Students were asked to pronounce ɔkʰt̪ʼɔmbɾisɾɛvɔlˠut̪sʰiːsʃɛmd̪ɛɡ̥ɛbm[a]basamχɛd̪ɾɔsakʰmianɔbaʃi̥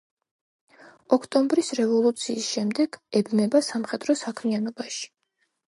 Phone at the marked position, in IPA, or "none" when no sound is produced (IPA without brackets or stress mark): ɛ